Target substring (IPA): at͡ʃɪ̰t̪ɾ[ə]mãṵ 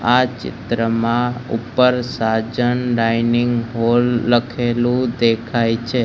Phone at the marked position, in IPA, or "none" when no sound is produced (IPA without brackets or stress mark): ə